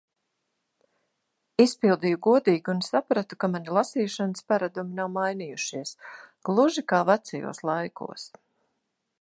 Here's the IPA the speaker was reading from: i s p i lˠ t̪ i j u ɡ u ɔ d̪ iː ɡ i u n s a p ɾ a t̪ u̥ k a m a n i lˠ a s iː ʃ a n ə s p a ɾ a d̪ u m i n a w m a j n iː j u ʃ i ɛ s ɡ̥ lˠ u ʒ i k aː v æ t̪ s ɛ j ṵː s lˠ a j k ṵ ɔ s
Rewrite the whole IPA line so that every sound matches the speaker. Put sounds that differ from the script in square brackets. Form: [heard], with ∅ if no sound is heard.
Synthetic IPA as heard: i s p i lˠ [d̪] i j u ɡ u ɔ d̪ iː ɡ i u n s a p ɾ a t̪ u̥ k a m a n i lˠ a s iː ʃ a n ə s p a ɾ a d̪ u m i n a w m a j n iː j u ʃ i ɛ s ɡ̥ lˠ u ʒ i k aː v [a] t̪ s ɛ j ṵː s lˠ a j k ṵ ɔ s